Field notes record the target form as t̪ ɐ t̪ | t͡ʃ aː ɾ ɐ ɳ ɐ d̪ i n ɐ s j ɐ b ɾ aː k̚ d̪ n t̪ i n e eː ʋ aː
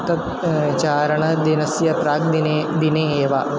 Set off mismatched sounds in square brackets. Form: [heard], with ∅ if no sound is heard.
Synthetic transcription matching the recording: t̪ ɐ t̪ | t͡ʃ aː ɾ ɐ ɳ ɐ d̪ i n ɐ s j ɐ [p] ɾ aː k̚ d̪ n [d̪] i n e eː ʋ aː